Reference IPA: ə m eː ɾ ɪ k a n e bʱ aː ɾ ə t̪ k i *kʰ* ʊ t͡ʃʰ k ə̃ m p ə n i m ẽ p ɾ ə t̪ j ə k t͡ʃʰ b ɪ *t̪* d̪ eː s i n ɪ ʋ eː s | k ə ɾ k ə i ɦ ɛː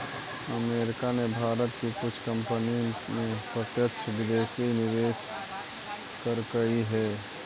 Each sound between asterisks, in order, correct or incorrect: incorrect: k, incorrect: none

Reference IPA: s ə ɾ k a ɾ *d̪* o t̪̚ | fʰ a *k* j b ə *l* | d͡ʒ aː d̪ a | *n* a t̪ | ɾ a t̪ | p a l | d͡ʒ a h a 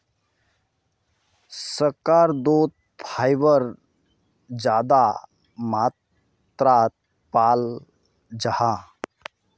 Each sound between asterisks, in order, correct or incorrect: correct, incorrect: none, incorrect: ɾ, incorrect: m

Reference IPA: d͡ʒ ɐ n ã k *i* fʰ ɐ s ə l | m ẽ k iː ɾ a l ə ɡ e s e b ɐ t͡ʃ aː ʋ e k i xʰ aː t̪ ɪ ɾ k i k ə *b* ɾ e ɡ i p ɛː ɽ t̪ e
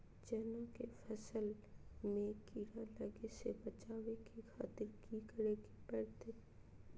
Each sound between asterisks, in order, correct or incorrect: incorrect: e, incorrect: none

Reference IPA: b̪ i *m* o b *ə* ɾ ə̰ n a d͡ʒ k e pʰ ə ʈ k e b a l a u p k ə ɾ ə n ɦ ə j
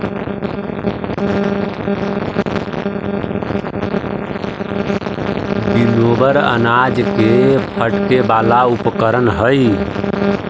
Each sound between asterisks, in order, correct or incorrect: incorrect: n, correct

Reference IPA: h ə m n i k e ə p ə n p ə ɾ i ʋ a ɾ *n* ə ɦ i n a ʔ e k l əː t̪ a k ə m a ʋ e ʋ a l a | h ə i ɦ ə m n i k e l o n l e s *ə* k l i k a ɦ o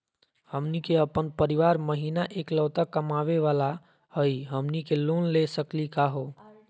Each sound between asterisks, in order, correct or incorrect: incorrect: m, correct

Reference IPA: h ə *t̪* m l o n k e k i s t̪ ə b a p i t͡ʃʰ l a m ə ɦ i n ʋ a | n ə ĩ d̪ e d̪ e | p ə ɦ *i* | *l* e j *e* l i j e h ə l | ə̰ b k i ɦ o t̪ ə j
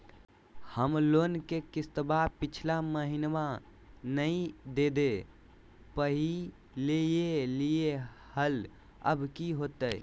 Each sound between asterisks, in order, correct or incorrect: incorrect: none, correct, correct, correct

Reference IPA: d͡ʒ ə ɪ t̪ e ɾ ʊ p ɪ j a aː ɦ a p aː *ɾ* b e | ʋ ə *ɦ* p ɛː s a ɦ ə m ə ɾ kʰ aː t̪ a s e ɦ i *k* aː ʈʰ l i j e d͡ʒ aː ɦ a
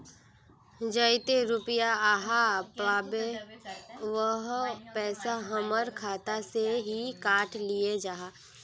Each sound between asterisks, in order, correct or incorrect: incorrect: none, correct, correct

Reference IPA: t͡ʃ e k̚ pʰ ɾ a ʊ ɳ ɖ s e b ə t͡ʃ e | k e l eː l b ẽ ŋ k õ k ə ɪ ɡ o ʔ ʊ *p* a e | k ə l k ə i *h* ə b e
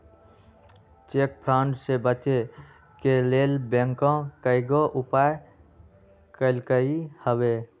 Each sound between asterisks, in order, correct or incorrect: correct, correct

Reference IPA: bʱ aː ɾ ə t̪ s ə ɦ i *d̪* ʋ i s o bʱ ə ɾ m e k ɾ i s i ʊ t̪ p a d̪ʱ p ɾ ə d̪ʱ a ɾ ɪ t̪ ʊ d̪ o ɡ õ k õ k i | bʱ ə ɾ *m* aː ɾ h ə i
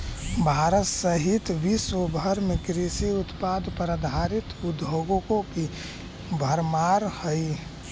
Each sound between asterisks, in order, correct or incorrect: incorrect: t̪, correct

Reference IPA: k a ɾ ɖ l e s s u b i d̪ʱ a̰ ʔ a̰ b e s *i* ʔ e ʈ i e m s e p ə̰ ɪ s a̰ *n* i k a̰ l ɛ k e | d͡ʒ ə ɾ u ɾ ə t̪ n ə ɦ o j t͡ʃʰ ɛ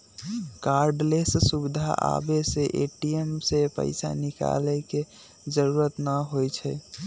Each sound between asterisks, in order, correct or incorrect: incorrect: e, correct

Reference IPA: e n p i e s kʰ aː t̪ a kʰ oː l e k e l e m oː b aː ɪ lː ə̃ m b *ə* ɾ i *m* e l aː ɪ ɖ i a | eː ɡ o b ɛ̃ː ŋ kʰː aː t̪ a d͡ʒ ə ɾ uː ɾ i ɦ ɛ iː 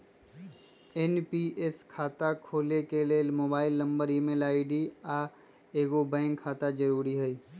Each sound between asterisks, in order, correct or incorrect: correct, correct

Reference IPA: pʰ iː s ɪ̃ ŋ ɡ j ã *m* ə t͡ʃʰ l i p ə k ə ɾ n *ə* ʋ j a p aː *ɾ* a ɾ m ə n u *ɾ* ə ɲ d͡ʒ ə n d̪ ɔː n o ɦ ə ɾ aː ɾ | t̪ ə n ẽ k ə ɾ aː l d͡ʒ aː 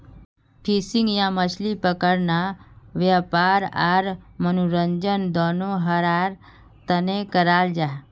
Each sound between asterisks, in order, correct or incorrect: correct, incorrect: a, correct, correct

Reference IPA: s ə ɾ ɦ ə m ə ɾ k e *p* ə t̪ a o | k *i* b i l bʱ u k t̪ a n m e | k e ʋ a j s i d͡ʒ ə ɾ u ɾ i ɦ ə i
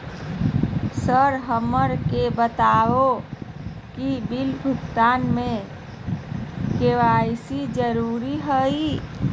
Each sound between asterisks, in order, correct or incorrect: incorrect: b, correct

